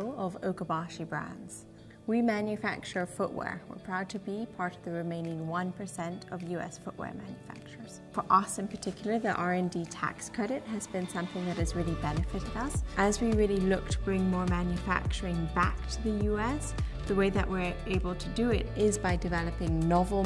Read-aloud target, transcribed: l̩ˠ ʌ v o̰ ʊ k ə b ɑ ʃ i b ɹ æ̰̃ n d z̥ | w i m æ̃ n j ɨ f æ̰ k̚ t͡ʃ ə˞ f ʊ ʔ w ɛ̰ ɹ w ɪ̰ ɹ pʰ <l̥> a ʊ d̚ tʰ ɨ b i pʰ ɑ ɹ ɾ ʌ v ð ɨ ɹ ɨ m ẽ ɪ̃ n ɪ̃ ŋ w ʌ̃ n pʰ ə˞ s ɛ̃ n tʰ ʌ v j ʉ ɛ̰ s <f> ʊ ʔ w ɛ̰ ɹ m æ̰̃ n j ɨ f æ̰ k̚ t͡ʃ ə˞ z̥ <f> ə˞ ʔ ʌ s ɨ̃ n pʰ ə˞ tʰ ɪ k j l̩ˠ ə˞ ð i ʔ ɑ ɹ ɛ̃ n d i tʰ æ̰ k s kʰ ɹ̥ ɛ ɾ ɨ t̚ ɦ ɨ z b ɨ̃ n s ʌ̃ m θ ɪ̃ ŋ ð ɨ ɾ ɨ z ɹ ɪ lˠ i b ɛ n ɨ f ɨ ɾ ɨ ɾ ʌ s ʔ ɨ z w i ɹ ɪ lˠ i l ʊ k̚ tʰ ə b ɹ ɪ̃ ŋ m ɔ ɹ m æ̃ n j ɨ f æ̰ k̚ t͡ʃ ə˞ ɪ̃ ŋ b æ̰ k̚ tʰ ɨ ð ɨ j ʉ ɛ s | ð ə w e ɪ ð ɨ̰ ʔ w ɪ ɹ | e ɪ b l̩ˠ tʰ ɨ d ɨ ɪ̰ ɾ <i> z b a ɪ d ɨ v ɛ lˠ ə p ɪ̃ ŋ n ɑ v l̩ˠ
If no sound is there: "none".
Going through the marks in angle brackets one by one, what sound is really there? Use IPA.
ɹ̥, f, f, ɪ

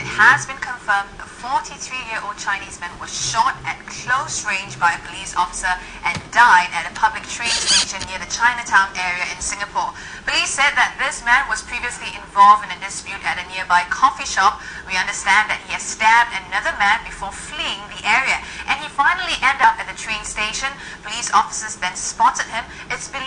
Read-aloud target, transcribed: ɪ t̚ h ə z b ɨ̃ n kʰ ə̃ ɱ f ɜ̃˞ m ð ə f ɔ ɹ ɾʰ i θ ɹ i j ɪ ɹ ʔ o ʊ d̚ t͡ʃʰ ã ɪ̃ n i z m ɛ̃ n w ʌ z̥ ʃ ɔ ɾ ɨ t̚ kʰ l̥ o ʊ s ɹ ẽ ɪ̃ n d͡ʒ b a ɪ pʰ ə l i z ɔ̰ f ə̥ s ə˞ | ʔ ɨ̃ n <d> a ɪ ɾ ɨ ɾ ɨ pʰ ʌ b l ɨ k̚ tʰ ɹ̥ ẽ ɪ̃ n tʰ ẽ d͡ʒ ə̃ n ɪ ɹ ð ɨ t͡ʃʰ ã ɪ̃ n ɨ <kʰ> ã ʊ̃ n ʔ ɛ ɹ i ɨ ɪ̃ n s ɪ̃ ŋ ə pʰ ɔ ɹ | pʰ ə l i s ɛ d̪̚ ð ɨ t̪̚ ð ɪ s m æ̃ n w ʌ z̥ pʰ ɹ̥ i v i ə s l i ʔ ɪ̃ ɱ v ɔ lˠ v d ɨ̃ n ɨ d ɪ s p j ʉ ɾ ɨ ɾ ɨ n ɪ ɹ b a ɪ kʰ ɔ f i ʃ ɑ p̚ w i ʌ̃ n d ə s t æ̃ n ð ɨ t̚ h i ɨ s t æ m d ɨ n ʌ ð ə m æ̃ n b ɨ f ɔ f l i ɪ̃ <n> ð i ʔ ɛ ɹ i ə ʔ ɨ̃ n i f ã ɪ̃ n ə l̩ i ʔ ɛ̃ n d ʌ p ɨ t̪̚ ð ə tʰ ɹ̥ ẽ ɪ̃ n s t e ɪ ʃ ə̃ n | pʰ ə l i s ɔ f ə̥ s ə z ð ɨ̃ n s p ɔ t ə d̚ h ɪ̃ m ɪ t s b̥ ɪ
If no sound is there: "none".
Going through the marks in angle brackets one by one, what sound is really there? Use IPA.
d, tʰ, ŋ

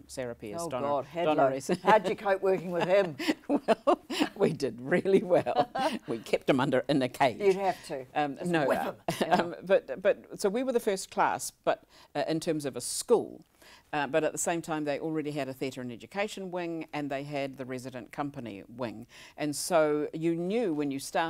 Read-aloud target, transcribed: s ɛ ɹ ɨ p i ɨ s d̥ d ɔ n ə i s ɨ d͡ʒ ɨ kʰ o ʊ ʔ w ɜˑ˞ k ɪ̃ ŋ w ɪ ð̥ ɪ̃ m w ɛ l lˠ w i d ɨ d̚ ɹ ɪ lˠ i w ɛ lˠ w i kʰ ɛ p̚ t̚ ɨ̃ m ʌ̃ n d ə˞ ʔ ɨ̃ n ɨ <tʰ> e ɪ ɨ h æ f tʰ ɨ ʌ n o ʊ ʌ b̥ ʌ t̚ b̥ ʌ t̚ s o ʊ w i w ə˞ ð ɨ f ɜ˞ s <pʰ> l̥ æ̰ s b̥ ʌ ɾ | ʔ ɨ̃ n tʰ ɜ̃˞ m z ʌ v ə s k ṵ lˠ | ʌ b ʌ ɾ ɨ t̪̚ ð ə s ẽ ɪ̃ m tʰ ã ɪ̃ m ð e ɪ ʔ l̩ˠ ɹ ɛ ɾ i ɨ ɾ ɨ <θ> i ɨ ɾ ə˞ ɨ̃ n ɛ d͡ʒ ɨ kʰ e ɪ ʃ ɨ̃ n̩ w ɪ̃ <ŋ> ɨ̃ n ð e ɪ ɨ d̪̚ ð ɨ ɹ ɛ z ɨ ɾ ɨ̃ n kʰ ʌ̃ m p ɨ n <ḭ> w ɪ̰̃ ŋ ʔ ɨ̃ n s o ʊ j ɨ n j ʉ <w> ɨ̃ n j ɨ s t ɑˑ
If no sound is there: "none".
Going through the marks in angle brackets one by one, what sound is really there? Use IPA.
kʰ, kʰ, θ, ŋ, ḭ, w

